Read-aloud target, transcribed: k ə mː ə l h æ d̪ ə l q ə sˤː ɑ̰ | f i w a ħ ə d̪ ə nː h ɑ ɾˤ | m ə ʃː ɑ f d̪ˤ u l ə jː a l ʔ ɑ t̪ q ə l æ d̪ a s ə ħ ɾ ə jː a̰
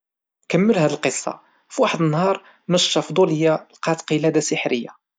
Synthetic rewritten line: k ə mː ə l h æ d̪ ə l q ə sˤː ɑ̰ | f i w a ħ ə d̪ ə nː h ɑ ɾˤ | m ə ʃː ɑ f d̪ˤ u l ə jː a l q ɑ t̪ q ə l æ d̪ a s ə ħ ɾ ə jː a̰